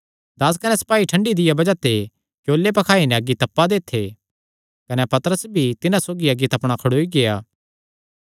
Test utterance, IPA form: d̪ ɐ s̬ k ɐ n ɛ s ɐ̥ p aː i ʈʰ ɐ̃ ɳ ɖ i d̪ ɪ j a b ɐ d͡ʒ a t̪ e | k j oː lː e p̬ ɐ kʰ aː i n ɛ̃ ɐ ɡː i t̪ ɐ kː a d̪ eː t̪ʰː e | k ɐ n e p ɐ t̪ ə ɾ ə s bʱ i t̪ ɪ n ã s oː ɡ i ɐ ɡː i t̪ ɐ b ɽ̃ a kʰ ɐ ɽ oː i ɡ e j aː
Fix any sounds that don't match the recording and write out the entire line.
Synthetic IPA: d̪ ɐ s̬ k ɐ n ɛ s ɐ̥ p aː i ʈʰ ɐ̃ ɳ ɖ i d̪ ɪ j a b ɐ d͡ʒ a t̪ e | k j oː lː e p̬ ɐ kʰ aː i n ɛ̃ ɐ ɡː i t̪ ɐ pː a d̪ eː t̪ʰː e | k ɐ n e p ɐ t̪ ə ɾ ə s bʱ i t̪ ɪ n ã s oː ɡ i ɐ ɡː i t̪ ɐ p ɽ̃ a kʰ ɐ ɽ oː i ɡ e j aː